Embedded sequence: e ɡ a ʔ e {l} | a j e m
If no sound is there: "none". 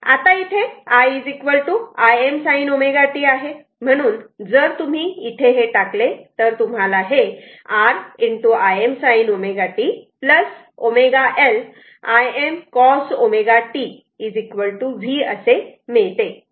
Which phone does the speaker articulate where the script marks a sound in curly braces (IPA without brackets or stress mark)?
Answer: l